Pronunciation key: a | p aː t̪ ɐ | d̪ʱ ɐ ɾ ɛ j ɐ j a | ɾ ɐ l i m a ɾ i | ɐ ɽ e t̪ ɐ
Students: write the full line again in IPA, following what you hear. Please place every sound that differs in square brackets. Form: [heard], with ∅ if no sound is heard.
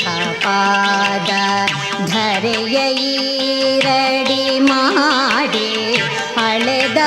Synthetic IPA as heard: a | p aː [d̪] ɐ | d̪ʱ ɐ ɾ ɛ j ɐ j [i] | ɾ ɐ [ɽ] i m a [ɽ] i | ɐ [ɭ] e [d̪] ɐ